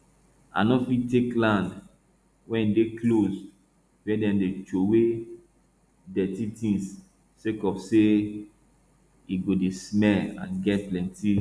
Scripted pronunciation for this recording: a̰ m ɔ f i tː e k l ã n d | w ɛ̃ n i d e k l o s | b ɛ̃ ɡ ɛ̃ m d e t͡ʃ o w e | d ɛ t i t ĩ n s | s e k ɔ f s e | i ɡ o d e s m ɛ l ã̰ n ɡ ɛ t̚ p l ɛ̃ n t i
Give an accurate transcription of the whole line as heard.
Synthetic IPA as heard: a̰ n ɔ f i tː e k l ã n d | w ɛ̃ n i d e k l o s | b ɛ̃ d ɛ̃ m d e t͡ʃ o w e | d ɛ t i t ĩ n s | s e k ɔ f s e | i ɡ o d e s m ɛ l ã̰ n ɡ ɛ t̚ p l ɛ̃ n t i